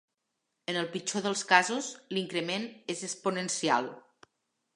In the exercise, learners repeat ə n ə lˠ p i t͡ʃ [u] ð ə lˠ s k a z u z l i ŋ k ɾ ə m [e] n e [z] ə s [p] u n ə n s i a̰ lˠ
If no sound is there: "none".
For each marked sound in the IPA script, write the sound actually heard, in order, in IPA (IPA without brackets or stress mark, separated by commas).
o, e, z, p